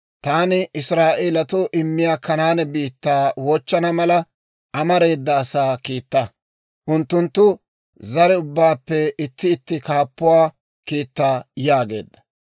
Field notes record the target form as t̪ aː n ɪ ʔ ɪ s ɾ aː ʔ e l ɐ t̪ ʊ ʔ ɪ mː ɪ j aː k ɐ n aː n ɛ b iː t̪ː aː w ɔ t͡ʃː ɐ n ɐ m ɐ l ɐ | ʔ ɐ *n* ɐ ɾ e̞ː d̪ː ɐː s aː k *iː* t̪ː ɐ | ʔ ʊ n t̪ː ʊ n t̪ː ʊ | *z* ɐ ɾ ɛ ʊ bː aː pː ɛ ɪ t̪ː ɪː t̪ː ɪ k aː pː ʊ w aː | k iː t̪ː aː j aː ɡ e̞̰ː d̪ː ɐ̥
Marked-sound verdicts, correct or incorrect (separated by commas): incorrect, correct, correct